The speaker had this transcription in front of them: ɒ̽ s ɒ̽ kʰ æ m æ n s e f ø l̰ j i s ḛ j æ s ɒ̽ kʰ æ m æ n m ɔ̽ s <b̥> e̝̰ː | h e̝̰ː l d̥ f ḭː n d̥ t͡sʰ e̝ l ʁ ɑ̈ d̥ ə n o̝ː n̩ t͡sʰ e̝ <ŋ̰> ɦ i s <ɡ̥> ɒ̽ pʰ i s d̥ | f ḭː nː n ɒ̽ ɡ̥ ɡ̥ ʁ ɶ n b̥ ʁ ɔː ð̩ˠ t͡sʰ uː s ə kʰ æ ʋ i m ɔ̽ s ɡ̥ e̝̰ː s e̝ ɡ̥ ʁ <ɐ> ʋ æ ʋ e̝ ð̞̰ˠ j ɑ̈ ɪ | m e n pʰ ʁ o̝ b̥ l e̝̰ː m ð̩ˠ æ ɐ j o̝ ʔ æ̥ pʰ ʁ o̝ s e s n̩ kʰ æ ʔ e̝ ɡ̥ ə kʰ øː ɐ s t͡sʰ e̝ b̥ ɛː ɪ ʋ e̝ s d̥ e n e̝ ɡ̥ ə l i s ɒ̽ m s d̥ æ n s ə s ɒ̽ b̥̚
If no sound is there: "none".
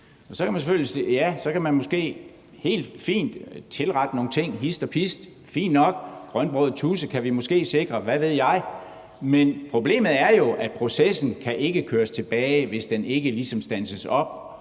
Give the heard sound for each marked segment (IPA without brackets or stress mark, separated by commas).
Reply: ɡ̥, ŋ̰, d̥, ɐ